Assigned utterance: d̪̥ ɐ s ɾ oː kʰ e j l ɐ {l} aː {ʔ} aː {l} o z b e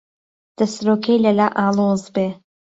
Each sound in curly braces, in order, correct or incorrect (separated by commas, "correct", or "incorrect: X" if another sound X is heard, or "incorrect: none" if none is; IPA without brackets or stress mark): correct, correct, correct